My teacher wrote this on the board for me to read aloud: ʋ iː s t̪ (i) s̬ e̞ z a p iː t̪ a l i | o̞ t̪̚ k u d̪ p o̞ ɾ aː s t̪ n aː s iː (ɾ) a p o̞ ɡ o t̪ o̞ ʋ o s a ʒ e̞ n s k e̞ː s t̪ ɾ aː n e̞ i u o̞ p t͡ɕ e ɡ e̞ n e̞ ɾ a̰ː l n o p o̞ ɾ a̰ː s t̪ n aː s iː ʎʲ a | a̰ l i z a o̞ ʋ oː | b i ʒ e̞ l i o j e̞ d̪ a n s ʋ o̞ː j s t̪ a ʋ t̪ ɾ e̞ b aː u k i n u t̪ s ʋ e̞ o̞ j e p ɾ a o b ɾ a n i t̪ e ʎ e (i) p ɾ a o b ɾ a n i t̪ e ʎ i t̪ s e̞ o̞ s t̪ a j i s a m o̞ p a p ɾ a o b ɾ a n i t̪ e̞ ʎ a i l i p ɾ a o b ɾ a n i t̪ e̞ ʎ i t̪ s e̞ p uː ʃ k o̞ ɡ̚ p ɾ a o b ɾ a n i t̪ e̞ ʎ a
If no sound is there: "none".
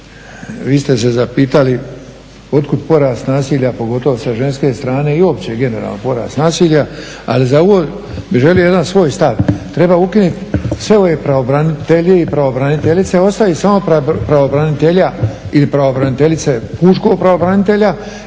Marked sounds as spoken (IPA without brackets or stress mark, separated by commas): e, ʎ, i